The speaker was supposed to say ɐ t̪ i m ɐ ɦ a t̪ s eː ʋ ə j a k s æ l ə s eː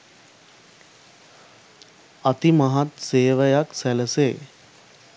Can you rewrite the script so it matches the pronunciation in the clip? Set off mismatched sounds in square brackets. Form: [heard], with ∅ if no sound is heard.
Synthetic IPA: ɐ t̪ i m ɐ ɦ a t̪ s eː ʋ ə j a k s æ l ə s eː